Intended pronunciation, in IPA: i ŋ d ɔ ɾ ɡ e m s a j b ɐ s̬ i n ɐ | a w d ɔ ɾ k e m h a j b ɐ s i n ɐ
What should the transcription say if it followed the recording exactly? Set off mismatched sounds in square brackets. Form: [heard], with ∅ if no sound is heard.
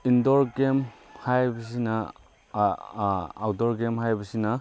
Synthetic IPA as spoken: i [n] d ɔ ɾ ɡ e m [h] a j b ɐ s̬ i n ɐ | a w d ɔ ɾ [ɡ] e m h a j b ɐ s i n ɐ